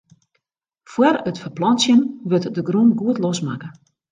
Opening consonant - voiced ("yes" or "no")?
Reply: no